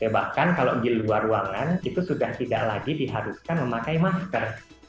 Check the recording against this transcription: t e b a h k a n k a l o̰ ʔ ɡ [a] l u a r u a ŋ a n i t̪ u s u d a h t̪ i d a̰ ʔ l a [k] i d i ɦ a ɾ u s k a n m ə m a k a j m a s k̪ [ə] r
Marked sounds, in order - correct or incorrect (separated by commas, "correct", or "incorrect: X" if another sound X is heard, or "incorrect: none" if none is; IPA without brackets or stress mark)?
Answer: incorrect: i, incorrect: ɡ, correct